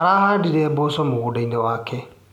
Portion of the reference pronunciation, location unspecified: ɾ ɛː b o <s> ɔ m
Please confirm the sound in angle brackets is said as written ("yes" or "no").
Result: yes